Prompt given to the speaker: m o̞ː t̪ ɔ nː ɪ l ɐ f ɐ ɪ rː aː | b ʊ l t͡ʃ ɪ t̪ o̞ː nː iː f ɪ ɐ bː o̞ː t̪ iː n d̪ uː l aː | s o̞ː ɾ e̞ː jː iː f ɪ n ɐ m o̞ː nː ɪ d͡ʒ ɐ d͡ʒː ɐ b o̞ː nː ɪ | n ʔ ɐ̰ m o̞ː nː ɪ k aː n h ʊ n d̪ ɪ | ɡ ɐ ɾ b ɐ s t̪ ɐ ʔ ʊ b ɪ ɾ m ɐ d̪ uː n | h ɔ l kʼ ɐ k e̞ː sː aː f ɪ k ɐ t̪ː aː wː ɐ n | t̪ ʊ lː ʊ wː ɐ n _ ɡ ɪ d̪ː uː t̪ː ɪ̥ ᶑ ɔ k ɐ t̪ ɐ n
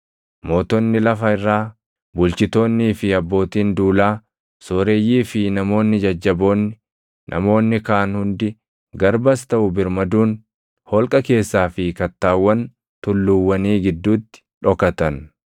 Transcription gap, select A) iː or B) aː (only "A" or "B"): A